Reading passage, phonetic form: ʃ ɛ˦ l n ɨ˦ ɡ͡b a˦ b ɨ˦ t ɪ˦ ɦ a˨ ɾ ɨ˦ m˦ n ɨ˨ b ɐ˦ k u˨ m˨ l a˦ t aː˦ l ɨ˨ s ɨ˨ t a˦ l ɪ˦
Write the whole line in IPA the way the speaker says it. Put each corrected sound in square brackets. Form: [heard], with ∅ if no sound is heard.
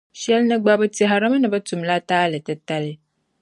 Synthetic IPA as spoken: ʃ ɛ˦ l n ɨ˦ ɡ͡b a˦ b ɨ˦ t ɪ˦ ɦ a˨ ɾ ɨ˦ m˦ n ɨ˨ b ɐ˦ [t] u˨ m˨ l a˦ t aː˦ l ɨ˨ [t] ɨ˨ t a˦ l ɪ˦